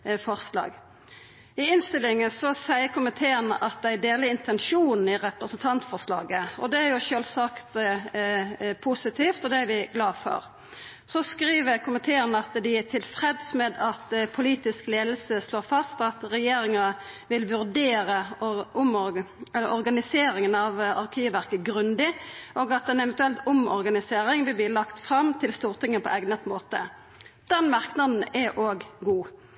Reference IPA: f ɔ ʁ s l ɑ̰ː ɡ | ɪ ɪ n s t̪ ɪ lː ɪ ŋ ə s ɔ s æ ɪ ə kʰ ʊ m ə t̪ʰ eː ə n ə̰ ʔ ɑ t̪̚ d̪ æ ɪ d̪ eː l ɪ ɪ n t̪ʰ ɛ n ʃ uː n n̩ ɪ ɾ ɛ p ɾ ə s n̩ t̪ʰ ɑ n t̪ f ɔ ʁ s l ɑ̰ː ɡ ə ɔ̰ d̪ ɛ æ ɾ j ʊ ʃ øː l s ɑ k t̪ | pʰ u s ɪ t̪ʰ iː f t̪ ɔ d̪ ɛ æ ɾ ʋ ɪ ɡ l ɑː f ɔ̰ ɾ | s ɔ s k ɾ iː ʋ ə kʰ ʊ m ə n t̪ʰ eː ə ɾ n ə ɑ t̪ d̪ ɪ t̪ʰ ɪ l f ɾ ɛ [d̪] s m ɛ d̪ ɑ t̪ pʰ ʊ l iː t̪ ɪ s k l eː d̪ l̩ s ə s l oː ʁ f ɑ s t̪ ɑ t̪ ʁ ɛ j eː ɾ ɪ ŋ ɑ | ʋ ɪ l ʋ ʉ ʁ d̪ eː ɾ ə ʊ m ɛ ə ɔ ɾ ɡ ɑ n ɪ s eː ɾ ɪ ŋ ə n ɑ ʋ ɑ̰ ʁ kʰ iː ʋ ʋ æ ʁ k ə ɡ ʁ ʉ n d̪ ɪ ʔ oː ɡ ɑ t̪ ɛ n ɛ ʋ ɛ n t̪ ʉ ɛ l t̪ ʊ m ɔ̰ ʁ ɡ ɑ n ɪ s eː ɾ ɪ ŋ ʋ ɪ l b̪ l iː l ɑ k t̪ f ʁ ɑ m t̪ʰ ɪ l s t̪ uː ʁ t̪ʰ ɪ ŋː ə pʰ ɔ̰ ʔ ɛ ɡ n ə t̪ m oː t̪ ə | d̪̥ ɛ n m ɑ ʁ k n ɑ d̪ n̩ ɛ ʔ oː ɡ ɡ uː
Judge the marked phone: correct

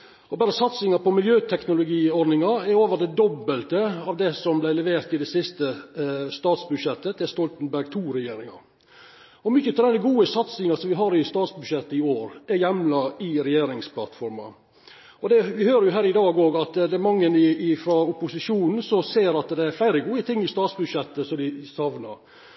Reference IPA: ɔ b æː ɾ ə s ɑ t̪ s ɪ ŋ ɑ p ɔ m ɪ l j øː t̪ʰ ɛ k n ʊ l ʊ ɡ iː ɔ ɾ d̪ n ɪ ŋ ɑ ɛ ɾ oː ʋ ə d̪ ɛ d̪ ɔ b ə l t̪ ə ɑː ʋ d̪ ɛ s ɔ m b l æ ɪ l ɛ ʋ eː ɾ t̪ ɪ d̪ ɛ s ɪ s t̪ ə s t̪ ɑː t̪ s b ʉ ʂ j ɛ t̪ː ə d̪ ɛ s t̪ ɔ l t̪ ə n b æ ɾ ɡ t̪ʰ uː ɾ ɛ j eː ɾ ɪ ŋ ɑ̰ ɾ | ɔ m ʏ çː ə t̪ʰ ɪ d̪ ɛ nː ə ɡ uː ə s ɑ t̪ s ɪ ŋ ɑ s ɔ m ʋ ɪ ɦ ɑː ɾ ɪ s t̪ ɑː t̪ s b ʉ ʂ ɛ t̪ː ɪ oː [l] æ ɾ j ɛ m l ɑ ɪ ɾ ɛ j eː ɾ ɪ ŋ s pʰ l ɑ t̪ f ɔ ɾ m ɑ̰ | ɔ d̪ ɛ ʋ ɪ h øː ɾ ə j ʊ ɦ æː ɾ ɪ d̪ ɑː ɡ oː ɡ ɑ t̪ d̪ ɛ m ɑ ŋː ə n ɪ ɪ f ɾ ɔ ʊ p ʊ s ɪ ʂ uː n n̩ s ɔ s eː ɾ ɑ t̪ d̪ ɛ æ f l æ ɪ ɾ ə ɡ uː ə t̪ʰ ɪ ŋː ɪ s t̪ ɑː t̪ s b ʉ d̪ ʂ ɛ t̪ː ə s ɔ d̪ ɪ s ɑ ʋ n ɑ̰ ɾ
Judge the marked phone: incorrect: ɾ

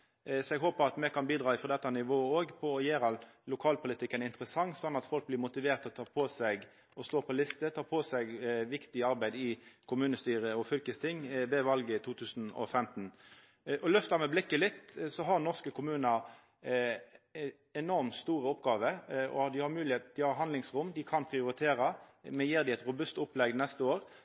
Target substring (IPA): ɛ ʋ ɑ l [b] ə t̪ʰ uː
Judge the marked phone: incorrect: ɡ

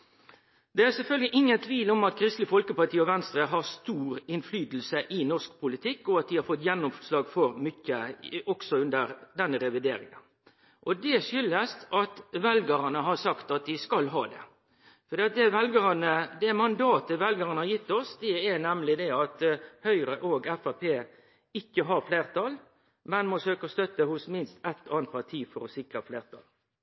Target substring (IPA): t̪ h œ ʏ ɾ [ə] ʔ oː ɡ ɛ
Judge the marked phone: correct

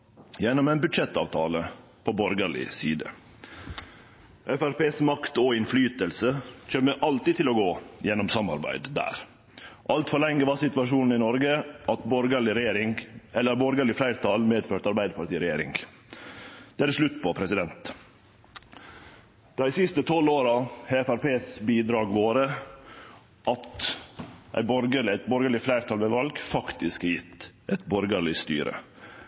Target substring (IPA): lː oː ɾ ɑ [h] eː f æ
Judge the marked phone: correct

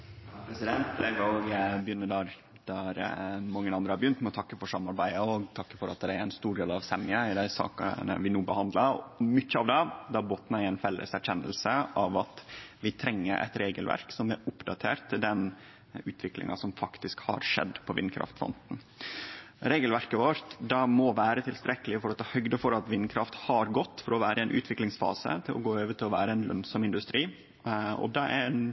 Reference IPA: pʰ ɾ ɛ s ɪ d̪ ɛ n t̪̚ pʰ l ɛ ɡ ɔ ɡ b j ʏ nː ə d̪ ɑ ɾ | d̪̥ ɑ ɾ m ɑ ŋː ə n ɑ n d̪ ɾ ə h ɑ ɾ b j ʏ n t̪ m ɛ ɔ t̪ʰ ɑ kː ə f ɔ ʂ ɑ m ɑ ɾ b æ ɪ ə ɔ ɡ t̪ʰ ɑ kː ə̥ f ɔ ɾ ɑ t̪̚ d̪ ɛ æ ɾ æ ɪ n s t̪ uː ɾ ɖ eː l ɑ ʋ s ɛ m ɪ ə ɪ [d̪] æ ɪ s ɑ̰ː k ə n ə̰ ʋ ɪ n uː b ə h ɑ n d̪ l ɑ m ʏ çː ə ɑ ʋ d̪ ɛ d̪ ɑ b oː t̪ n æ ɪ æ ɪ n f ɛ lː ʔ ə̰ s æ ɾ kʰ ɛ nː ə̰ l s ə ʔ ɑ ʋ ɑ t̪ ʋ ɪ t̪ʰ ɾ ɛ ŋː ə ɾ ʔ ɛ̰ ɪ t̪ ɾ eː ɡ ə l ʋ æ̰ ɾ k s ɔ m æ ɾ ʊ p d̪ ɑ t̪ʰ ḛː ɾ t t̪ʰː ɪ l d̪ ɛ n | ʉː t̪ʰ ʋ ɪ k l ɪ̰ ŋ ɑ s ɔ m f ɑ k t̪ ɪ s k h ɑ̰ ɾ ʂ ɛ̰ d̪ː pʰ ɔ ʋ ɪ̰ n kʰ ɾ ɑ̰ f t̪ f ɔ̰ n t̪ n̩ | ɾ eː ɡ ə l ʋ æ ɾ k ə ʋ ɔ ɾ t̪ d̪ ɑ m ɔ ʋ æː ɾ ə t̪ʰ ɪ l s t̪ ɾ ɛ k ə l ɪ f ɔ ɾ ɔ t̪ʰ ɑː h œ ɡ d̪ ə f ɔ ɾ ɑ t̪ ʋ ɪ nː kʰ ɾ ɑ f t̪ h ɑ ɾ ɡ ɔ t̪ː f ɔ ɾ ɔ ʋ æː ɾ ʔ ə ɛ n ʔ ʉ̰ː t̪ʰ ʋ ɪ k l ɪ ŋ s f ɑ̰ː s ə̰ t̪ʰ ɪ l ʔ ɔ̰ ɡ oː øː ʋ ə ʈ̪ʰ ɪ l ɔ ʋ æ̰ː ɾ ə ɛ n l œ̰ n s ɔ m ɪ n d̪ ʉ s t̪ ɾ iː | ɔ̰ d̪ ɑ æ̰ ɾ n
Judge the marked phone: correct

